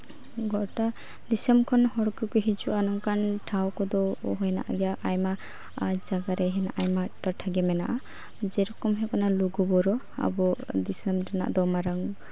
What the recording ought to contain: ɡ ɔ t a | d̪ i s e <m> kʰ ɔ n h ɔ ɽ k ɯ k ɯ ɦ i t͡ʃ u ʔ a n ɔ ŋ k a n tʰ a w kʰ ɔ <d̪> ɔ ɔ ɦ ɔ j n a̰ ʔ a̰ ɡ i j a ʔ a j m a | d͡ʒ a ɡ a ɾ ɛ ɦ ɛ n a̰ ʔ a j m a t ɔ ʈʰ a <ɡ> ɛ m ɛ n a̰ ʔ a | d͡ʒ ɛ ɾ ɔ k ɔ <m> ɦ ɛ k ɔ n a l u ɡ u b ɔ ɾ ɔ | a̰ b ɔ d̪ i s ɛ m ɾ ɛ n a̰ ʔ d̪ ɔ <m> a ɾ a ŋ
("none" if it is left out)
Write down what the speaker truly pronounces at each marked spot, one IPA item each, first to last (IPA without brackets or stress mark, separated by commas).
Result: m, d̪, ɡ, m, m